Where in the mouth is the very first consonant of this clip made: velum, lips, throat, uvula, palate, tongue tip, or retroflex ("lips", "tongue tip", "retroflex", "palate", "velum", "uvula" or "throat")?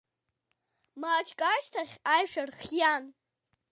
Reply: lips